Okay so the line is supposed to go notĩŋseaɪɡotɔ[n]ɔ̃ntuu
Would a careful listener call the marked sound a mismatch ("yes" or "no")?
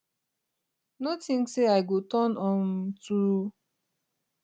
no